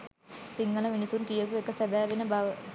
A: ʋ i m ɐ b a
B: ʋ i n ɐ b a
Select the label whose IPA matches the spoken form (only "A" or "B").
B